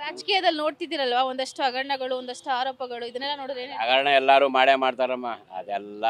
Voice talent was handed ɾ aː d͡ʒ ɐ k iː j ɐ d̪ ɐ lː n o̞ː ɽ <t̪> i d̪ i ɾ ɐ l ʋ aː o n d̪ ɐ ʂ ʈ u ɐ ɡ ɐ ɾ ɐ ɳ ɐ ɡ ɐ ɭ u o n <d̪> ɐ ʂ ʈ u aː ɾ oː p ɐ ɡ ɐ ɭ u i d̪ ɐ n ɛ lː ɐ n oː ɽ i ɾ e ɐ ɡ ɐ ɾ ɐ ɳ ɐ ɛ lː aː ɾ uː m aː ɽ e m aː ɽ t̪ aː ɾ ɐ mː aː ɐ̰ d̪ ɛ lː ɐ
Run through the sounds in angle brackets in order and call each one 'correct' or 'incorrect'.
correct, correct

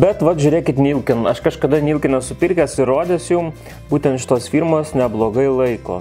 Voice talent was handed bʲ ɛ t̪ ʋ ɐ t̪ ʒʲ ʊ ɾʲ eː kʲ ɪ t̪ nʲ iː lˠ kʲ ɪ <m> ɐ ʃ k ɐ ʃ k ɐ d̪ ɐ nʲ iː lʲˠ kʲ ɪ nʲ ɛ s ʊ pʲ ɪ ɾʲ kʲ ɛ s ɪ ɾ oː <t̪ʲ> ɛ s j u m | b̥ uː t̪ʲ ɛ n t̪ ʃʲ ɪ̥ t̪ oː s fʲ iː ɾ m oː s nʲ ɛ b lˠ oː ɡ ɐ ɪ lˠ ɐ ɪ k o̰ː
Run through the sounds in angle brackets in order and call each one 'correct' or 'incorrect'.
incorrect: n, incorrect: d̪ʲ

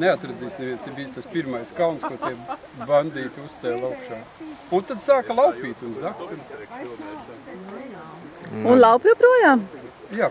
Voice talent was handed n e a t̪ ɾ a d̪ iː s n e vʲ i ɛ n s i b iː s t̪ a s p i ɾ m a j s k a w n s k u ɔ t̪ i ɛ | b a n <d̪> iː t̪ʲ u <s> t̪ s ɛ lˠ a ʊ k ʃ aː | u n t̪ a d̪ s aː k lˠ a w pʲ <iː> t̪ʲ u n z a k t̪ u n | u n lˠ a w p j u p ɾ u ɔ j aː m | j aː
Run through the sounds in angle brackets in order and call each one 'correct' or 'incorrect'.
correct, correct, correct

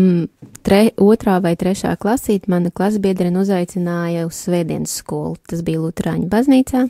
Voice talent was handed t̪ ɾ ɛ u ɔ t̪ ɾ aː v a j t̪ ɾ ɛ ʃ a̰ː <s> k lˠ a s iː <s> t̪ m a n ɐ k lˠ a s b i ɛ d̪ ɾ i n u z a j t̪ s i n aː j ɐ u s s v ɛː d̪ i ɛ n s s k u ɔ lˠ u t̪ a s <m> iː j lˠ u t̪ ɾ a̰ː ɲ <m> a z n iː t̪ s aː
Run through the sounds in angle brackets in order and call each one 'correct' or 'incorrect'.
incorrect: none, incorrect: none, incorrect: b, incorrect: b

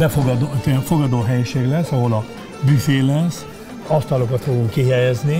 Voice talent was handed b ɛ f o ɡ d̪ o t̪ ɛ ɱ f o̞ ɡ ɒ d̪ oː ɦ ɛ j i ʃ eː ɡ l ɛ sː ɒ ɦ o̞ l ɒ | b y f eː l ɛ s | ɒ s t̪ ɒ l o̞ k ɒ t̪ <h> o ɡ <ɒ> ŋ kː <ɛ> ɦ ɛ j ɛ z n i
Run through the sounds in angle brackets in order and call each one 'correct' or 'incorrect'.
incorrect: f, incorrect: u, incorrect: i

